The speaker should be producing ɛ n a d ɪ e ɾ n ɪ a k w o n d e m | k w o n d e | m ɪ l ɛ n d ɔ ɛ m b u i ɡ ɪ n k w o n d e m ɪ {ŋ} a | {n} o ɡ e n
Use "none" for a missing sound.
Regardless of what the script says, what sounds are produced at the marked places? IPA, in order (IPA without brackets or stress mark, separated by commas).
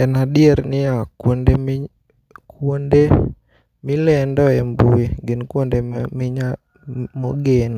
ɲ, m